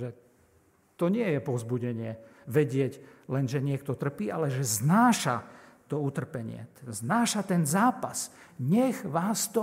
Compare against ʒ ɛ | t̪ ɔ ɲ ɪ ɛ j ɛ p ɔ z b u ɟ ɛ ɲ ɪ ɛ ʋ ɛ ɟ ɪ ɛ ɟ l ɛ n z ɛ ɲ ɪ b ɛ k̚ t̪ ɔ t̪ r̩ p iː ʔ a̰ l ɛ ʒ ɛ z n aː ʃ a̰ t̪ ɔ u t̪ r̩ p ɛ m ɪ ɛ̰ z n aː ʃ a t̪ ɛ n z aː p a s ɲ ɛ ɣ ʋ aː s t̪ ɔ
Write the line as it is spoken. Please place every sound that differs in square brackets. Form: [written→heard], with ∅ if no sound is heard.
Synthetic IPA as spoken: ʒ ɛ | t̪ ɔ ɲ ɪ ɛ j ɛ p ɔ z b u ɟ ɛ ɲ ɪ ɛ ʋ ɛ ɟ ɪ ɛ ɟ l ɛ n [z→ʒ] ɛ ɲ ɪ [b→∅] ɛ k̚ t̪ ɔ t̪ r̩ p iː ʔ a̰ l ɛ ʒ ɛ z n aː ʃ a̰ t̪ ɔ u t̪ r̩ p ɛ [m→ɲ] ɪ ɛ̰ z n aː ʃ a t̪ ɛ n z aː p a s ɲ ɛ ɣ ʋ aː s t̪ ɔ